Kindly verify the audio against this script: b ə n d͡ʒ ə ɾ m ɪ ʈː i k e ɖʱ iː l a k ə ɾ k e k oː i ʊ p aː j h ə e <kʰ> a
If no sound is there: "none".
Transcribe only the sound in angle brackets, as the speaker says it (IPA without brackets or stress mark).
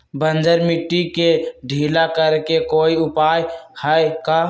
k